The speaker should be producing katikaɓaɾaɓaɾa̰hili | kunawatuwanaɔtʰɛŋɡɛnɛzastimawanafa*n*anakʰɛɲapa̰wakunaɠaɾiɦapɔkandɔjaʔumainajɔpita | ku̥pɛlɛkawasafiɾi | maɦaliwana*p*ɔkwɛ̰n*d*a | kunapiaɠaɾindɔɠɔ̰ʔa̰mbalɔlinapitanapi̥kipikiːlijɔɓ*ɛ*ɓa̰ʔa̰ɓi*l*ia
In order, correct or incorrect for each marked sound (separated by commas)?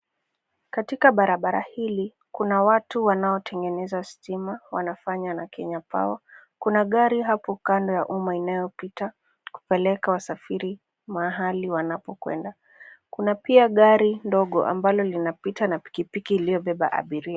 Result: incorrect, correct, correct, correct, incorrect